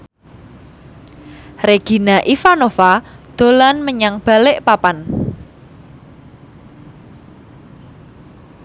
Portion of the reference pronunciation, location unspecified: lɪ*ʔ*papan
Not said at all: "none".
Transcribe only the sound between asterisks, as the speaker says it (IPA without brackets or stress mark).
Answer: ʔ